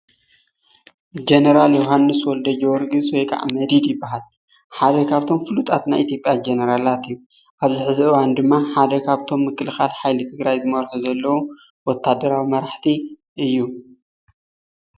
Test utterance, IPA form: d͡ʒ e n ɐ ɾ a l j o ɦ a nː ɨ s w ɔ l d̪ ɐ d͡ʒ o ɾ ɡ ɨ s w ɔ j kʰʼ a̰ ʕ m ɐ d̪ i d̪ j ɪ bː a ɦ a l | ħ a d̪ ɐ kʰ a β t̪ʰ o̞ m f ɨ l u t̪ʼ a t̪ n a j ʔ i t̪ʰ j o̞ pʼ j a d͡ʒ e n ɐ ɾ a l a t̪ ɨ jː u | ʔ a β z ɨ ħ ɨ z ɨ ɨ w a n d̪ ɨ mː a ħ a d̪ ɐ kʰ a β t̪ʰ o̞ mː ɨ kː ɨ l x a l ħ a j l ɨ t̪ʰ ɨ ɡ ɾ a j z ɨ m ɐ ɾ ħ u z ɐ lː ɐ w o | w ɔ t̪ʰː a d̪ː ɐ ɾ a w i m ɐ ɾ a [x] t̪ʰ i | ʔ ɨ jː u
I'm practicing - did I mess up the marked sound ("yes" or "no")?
yes